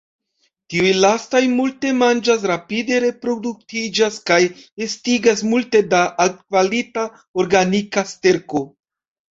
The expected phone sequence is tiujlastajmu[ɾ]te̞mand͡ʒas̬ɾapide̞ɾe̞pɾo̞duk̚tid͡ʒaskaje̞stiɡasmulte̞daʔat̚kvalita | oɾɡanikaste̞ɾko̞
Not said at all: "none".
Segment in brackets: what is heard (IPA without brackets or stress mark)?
l